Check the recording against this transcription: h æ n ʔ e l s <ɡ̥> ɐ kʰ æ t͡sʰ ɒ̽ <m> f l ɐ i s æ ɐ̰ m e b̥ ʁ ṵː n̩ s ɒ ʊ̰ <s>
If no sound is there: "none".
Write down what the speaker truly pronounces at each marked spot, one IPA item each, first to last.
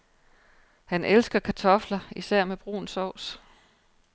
ɡ̥, none, s

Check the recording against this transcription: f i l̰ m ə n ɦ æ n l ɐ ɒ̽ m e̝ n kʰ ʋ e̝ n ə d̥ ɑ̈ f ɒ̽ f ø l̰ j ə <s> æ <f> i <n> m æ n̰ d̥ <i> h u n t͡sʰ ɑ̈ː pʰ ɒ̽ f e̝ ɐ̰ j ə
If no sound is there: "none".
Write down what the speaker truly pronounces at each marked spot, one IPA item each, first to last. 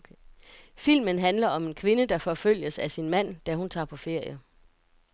s, s, n, æ

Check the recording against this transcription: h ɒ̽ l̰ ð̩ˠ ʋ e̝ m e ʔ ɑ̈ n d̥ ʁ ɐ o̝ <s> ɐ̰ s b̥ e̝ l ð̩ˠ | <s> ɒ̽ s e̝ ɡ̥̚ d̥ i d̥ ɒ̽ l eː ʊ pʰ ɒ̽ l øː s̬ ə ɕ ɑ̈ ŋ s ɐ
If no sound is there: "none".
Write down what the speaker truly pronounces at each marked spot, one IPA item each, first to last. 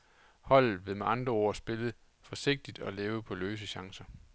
none, f

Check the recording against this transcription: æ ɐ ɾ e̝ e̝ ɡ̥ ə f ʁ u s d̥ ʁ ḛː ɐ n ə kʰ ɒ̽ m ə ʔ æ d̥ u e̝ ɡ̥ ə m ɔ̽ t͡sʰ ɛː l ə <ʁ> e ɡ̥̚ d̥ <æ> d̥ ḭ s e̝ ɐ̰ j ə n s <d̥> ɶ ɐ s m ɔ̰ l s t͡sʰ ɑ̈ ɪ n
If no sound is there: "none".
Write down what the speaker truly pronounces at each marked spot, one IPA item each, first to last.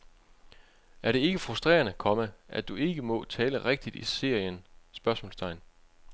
ʁ, i, b̥

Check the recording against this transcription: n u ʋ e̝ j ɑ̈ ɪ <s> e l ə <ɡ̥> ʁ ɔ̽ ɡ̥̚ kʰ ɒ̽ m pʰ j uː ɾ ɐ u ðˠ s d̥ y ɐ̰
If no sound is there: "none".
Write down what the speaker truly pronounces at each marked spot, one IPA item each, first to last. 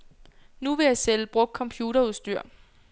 s, b̥

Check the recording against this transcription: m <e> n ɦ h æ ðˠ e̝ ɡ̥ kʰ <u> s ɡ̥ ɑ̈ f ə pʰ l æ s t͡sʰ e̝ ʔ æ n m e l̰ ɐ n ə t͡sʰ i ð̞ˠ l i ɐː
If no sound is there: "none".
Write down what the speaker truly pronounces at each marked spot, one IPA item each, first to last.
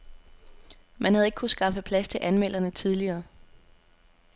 æ, u

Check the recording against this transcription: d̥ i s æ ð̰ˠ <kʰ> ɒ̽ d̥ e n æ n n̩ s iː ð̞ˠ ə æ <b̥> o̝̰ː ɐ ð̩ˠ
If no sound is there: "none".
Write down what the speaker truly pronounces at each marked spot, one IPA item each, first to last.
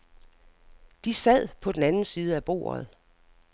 pʰ, b̥

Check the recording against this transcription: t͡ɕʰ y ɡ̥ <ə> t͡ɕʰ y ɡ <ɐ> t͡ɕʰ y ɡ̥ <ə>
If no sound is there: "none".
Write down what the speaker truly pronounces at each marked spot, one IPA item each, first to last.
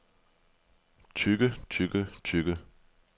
ə, ə, ə

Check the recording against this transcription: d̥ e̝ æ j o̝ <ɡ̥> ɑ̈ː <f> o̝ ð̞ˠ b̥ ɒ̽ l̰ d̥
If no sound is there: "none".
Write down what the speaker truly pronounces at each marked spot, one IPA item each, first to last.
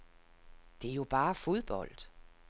b̥, f

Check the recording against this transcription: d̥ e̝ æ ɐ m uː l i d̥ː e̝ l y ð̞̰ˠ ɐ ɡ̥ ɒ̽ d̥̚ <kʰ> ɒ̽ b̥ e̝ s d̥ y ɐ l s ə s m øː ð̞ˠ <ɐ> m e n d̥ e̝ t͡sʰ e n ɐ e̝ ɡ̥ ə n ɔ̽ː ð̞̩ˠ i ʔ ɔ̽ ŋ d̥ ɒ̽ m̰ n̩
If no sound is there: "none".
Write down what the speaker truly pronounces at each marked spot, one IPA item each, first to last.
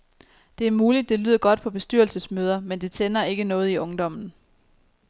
pʰ, ɐ

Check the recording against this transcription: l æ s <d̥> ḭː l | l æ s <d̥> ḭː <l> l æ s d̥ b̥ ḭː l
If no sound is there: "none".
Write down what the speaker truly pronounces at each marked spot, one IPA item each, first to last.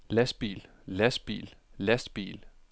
b̥, b̥, l

